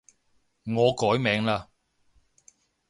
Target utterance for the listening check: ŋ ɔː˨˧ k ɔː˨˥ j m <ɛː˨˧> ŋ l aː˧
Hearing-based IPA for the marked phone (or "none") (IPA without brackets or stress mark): ɛː˨˧